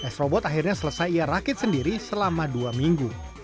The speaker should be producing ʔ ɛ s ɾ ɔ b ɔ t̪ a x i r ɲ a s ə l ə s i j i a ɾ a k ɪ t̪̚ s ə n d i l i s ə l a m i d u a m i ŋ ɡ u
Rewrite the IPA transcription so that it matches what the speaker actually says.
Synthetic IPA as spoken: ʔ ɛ s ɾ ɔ b ɔ t̪ a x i r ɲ a s ə l ə s a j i a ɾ a k ɪ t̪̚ s ə n d i ɾ i s ə l a m a d u a m i ŋ ɡ u